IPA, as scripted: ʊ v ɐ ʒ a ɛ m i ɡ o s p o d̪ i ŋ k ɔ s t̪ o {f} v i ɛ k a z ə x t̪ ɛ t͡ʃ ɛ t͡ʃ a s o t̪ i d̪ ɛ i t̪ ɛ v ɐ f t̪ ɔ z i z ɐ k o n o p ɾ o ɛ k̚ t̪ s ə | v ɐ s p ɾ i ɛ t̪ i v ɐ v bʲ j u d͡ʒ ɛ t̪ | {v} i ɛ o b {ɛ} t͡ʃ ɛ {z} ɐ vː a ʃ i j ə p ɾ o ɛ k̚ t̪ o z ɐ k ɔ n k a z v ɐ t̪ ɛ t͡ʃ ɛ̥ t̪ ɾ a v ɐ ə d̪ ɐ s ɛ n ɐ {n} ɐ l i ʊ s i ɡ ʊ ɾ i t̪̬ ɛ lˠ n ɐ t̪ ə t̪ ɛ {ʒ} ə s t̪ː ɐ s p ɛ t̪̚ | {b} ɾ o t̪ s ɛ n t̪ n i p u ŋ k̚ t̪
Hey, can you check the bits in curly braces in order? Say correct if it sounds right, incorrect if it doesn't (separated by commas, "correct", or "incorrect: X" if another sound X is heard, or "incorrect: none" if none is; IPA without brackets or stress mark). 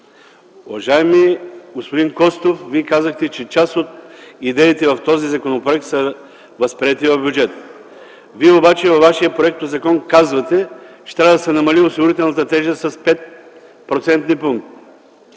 correct, correct, incorrect: a, incorrect: v, incorrect: m, correct, incorrect: p